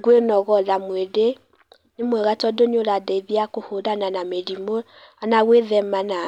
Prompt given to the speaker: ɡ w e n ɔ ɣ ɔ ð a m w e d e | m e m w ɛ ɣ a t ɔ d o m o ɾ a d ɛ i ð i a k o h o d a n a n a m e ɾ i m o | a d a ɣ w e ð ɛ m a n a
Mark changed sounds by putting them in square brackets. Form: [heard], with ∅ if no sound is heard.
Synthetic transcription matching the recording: ɡ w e n ɔ ɣ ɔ ð a m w e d e | [n] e m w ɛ ɣ a t ɔ d o [ɲ] o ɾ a d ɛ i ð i a k o h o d a n a n a m e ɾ i m o | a [n] a ɣ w e ð ɛ m a n a

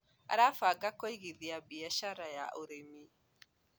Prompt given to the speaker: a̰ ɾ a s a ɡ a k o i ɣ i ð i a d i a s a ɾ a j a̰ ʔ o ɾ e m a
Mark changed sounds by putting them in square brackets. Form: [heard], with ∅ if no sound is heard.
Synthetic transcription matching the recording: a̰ ɾ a [f] a ɡ a k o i ɣ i ð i a [b] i a [ʃ] a ɾ a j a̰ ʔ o ɾ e m [i]

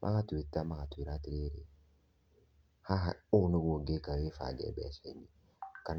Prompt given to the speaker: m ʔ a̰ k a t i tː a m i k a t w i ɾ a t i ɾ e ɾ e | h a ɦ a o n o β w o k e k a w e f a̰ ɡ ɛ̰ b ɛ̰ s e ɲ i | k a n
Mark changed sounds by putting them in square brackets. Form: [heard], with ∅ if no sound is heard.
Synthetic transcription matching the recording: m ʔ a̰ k a t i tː a m [a] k a t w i ɾ a t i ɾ e ɾ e | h a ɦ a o n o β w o [ɡ] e k a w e f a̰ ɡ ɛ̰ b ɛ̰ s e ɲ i | k a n

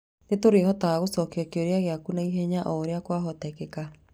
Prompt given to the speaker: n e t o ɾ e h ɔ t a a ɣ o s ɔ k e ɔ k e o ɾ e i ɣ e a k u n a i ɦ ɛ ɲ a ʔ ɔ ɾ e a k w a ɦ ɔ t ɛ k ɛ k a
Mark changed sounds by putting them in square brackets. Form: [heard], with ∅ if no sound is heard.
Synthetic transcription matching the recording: n e t o ɾ e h ɔ t a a ɣ o s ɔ k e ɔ k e o ɾ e [a] ɣ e a k u n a i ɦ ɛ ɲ a ʔ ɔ ɾ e a k w a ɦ ɔ t ɛ k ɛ k a

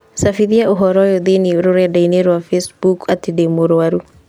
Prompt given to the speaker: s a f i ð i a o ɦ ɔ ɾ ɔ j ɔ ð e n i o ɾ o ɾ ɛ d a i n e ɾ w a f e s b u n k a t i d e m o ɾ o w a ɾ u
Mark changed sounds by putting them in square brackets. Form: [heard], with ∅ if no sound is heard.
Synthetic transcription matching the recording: s a f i ð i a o ɦ ɔ ɾ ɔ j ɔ ð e n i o ɾ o ɾ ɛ d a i n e ɾ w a f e s b u [∅] k a t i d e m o ɾ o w a ɾ u

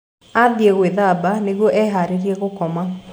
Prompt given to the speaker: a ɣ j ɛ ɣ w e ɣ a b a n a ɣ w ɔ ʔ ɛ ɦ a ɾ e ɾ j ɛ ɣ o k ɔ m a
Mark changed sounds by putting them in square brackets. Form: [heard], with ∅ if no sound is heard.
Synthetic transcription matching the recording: a [ð] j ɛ ɣ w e [ð] a b a n [e] ɣ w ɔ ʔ ɛ ɦ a ɾ e ɾ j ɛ ɣ o k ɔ m a

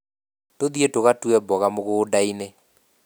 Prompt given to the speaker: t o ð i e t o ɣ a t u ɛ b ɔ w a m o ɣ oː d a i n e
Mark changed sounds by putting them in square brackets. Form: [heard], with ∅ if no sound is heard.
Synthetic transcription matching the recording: t o ð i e t o ɣ a t u ɛ b ɔ [ɣ] a m o ɣ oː d a i n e

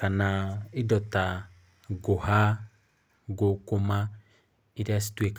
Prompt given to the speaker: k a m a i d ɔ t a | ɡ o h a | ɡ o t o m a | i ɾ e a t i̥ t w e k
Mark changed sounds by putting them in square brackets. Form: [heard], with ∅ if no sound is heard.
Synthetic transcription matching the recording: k a [n] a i d ɔ t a | ɡ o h a | ɡ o [k] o m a | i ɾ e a [s] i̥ t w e k

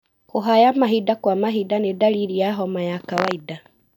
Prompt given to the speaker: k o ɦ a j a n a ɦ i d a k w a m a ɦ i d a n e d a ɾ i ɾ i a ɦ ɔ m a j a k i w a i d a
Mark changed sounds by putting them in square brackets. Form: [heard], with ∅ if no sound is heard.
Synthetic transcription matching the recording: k o ɦ a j a [m] a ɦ i d a k w a m a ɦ i d a n e d a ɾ i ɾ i a ɦ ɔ m a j a k [a] w a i d a

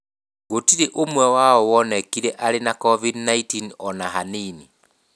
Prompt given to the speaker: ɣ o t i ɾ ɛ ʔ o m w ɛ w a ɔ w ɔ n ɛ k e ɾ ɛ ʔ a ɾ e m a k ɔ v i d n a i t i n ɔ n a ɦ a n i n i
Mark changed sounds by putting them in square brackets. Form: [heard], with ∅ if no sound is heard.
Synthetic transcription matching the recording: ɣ o t i ɾ [e] ʔ o m w ɛ w a ɔ w ɔ n ɛ k [i] ɾ ɛ ʔ a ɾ e [n] a k ɔ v i d n a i t i n ɔ n a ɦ a n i n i

